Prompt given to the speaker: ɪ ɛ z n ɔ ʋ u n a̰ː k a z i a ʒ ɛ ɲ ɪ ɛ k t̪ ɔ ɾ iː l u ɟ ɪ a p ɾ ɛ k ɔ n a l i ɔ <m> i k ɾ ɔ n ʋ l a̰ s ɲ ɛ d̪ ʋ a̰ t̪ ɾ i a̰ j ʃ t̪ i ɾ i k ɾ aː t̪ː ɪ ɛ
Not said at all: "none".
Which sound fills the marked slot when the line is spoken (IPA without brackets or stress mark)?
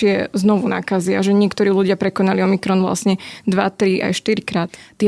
m